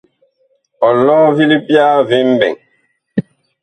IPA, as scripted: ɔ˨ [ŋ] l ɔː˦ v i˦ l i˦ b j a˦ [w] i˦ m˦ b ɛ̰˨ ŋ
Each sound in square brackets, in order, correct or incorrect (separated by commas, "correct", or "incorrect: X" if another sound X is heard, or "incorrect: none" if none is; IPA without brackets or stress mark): incorrect: none, incorrect: v